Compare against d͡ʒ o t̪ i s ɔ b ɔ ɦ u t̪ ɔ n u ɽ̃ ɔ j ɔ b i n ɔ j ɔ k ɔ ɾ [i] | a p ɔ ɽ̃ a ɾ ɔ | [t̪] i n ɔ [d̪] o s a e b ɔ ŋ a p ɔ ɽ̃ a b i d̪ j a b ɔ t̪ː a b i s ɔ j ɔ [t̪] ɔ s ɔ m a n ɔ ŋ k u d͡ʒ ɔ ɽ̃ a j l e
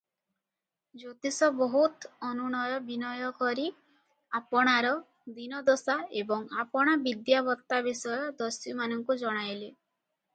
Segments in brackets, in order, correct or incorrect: correct, incorrect, correct, incorrect

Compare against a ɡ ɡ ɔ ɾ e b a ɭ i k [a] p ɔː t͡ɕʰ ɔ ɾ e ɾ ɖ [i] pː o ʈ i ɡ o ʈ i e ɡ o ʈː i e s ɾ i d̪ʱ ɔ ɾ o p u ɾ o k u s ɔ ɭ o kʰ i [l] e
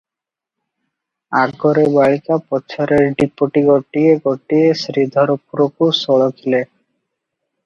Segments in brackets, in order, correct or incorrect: correct, correct, correct

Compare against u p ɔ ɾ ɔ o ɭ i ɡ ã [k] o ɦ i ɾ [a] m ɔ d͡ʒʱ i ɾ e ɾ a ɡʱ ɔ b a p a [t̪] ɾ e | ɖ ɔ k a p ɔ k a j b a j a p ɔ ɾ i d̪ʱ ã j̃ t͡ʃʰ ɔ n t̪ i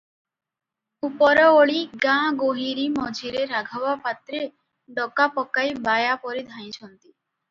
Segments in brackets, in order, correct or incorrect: incorrect, incorrect, correct

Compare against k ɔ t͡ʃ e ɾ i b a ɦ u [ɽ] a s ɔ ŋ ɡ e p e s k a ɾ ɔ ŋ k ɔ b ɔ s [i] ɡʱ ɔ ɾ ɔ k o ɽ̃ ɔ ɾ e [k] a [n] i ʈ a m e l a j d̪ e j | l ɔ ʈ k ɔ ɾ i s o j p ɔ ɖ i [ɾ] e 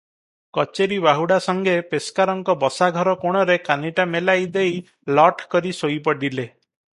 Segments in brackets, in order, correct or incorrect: correct, incorrect, correct, correct, incorrect

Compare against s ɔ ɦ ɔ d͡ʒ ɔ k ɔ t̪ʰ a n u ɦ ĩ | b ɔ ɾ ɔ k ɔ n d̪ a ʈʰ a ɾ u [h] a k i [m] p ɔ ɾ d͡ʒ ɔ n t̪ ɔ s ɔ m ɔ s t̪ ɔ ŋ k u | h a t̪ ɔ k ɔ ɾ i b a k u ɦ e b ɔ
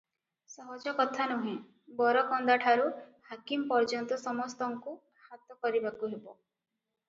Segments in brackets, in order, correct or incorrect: correct, correct

